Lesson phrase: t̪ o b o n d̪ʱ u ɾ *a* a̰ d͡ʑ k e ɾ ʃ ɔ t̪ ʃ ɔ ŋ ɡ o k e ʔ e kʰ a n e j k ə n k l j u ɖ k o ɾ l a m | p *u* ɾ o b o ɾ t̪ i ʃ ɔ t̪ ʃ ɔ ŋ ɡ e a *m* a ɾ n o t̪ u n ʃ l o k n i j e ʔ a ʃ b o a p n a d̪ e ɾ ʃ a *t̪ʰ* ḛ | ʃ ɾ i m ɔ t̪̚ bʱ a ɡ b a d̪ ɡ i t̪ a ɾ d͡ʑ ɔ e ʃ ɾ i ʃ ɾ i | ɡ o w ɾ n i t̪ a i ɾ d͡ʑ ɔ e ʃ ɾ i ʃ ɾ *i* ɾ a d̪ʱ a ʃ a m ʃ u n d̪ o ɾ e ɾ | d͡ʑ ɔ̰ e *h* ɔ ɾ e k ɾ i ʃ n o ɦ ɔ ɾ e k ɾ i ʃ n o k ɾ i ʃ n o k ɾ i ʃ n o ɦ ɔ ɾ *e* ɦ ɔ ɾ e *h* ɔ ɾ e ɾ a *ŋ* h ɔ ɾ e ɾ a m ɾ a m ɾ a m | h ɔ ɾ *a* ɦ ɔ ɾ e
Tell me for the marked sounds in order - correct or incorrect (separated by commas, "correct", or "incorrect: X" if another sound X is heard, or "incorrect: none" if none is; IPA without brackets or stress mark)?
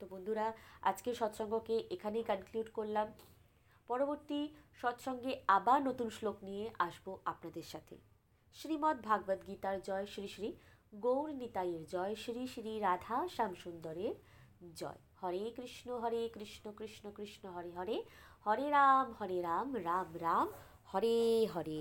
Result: correct, incorrect: ɔ, incorrect: b, correct, correct, correct, correct, correct, incorrect: m, incorrect: e